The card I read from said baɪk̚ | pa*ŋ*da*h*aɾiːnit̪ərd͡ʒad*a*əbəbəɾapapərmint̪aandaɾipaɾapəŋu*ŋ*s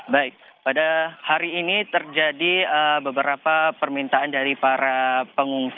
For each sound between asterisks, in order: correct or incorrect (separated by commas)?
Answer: incorrect, correct, incorrect, correct